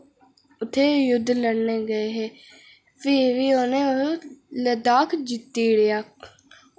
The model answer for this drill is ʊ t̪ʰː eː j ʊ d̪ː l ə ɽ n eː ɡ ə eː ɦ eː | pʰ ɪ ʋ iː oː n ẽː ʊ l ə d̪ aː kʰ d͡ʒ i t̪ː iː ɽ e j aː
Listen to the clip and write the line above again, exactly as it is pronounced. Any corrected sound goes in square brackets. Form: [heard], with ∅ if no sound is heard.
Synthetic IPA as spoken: ʊ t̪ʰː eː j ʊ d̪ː l ə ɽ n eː ɡ ə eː ɦ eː | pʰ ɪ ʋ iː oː n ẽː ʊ l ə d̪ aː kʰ d͡ʒ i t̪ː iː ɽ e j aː

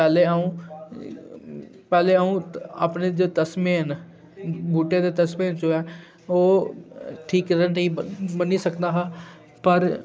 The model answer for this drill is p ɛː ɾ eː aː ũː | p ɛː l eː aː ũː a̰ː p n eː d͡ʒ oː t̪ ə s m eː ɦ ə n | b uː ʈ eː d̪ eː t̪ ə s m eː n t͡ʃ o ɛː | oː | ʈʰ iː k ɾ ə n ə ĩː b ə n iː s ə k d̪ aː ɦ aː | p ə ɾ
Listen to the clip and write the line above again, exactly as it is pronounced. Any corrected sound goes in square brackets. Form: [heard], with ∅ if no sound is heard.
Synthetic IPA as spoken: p ɛː [l] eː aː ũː | p ɛː l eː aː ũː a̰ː p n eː d͡ʒ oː t̪ ə s m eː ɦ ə n | b uː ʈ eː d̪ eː t̪ ə s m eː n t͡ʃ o ɛː | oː | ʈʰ iː k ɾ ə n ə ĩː b ə n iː s ə k d̪ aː ɦ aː | p ə ɾ

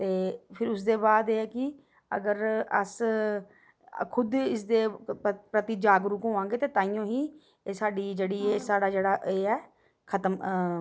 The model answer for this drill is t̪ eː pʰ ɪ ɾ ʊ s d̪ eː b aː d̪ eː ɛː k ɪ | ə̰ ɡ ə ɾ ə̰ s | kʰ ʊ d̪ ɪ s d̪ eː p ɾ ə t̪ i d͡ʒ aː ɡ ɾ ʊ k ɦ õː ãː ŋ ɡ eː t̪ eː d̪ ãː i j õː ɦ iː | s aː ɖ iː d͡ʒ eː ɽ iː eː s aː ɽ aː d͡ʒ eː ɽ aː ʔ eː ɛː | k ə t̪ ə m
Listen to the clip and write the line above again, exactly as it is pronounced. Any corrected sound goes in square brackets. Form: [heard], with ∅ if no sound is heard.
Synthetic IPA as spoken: t̪ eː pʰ ɪ ɾ ʊ s d̪ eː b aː d̪ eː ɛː k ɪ | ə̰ ɡ ə ɾ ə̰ s | kʰ ʊ d̪ ɪ s d̪ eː p ɾ ə t̪ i d͡ʒ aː ɡ ɾ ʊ k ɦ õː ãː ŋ ɡ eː t̪ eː [t̪] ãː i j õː ɦ iː | s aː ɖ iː d͡ʒ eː ɽ iː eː s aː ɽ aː d͡ʒ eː ɽ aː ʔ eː ɛː | [kʰ] ə t̪ ə m

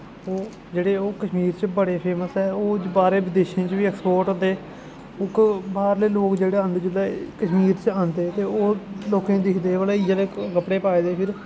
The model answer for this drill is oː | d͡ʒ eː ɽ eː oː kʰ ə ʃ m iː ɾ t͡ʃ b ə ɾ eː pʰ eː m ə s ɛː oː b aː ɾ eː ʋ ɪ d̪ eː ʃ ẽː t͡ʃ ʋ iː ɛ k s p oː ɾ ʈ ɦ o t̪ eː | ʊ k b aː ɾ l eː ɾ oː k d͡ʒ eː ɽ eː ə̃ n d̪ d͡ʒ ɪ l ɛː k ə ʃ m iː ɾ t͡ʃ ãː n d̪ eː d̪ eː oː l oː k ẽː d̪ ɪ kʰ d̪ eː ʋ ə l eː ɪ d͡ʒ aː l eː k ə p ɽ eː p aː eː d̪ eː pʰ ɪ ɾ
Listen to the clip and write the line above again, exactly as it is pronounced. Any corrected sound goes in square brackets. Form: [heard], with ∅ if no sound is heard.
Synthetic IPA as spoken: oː | d͡ʒ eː ɽ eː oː [k] ə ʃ m iː ɾ t͡ʃ b ə [ɽ] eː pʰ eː m ə s ɛː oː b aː ɾ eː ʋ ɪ d̪ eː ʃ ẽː t͡ʃ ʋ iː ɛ k s p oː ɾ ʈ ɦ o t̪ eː | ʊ k b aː ɾ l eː [l] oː k d͡ʒ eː ɽ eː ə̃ n d̪ d͡ʒ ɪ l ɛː k ə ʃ m iː ɾ t͡ʃ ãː n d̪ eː [t̪] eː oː l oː k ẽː d̪ ɪ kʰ d̪ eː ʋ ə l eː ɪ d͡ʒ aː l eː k ə p ɽ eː p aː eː d̪ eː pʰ ɪ ɾ

